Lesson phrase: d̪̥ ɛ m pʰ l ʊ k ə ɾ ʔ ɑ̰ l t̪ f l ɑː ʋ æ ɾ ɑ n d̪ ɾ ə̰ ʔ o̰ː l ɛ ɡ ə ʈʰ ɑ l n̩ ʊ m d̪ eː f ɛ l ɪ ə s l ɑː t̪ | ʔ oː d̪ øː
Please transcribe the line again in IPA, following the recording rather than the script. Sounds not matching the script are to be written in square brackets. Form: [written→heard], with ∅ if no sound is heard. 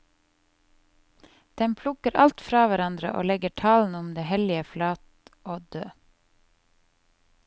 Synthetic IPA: d̪̥ ɛ m pʰ l ʊ k ə ɾ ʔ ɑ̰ l t̪ f [l→ɾ] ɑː ʋ æ ɾ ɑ n d̪ ɾ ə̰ ʔ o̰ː l ɛ ɡ ə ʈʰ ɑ l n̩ ʊ m d̪ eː [f→h] ɛ l ɪ ə [s→f] l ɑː t̪ | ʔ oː d̪ øː